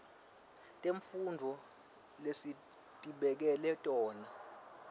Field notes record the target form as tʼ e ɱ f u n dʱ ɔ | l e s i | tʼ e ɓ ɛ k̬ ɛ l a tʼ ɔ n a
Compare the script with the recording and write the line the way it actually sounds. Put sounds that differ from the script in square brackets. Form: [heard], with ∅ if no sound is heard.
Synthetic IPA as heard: tʼ e ɱ f u n dʱ ɔ | l e s i | tʼ [i] ɓ ɛ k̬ ɛ l [ɛ] tʼ [ɔː] n a